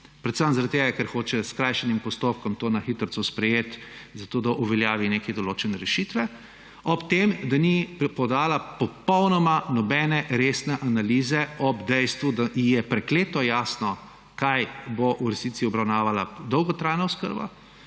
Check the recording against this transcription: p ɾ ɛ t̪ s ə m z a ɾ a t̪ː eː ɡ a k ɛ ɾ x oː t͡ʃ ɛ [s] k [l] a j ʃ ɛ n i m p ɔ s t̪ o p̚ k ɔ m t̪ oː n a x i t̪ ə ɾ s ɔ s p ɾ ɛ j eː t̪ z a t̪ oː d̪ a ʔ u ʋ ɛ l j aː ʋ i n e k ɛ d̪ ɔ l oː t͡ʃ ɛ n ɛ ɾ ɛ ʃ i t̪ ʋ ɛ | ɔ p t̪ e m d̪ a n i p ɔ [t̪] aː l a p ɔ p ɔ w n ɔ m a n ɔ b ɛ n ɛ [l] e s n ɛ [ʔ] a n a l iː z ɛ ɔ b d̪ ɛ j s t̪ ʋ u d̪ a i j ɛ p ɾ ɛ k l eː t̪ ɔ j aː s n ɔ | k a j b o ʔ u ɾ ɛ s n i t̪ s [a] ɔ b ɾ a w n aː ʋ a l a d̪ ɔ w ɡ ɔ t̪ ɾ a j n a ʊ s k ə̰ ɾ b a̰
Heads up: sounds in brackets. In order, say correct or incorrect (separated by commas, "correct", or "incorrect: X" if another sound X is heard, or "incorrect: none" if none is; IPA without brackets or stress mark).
correct, incorrect: ɾ, incorrect: d̪, incorrect: ɾ, correct, incorrect: i